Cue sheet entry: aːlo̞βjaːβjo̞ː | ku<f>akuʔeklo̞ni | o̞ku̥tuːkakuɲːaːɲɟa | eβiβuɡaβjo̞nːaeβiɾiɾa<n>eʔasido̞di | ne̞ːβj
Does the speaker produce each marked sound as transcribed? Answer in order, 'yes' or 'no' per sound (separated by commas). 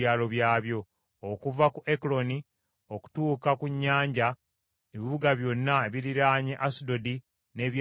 no, no